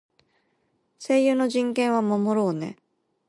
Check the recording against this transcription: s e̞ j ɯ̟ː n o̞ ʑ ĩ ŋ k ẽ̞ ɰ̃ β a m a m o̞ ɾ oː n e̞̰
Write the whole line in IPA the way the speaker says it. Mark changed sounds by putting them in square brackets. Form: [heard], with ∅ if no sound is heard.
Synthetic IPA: s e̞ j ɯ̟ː n o̞ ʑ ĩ ŋ k ẽ̞ ɰ̃ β a m a m o̞ ɾ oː n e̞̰